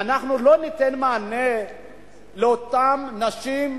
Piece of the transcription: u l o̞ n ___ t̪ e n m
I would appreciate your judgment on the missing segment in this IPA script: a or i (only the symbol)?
i